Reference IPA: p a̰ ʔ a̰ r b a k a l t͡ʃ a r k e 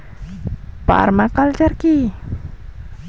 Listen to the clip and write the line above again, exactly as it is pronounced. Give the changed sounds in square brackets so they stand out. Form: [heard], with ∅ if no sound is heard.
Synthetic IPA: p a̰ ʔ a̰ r [m] a k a l t͡ʃ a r k [i]